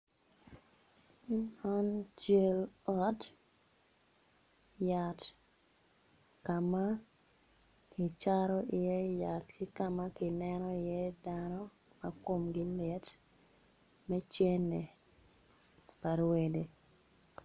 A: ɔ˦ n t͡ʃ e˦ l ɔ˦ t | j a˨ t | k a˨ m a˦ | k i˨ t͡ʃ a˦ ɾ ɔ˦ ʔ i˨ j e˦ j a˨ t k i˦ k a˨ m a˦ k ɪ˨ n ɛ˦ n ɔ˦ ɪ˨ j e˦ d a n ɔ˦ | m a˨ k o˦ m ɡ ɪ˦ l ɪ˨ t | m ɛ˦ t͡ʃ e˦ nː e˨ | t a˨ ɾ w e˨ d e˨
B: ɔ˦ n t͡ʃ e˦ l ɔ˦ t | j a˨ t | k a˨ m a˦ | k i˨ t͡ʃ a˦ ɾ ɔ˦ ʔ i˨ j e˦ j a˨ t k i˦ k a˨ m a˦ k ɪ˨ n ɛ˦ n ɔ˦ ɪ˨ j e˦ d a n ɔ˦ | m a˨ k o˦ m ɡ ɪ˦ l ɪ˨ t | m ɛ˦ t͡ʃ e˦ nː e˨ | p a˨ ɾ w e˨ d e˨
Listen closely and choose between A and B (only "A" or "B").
B